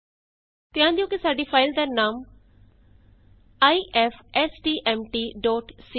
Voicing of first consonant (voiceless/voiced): voiceless